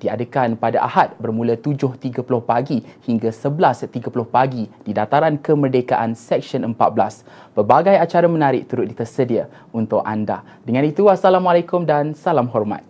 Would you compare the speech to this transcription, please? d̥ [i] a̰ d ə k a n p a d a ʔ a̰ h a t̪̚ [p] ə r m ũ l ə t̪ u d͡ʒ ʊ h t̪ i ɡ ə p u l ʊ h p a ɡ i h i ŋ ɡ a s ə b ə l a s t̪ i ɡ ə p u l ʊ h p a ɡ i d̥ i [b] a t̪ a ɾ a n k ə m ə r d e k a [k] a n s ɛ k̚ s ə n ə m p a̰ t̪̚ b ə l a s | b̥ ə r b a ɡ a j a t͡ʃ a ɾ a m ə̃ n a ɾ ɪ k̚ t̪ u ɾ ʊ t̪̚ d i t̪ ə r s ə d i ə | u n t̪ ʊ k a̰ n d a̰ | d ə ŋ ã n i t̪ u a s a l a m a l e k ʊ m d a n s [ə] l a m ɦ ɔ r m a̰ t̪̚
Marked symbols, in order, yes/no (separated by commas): yes, no, no, no, no